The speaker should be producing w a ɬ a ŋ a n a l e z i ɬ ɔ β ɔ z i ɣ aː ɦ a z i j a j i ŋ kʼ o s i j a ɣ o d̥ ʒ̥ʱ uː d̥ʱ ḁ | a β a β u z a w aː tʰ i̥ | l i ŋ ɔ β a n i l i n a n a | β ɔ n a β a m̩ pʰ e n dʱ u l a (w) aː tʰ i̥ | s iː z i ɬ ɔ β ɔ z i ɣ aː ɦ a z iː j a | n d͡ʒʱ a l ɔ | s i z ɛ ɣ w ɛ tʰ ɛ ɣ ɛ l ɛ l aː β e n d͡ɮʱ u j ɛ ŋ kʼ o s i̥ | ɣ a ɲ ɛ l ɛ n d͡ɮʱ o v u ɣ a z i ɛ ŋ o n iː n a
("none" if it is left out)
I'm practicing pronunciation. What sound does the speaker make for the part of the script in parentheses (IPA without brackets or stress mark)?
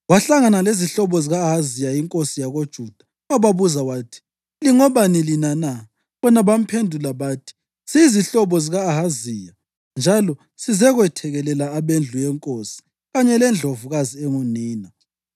β